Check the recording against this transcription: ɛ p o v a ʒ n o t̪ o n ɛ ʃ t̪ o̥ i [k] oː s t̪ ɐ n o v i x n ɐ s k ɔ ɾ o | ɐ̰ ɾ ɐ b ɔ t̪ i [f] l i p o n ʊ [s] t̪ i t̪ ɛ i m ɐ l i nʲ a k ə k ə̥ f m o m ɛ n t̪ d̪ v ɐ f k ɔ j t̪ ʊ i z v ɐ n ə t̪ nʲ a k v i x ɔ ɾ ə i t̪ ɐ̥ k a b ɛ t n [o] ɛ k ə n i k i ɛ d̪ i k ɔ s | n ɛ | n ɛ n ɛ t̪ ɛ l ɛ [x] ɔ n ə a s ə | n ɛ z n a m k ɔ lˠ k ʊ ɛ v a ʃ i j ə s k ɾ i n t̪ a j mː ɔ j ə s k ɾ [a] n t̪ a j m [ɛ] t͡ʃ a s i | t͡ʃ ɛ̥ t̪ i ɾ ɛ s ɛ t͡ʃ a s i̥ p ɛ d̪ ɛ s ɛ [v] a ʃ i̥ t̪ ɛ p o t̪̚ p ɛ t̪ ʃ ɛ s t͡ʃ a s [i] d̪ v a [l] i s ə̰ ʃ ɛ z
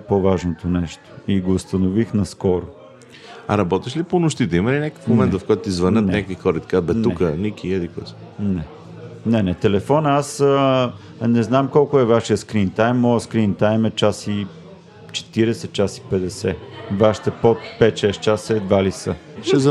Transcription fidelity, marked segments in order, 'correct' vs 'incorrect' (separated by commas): incorrect, incorrect, incorrect, incorrect, incorrect, incorrect, correct, correct, incorrect, correct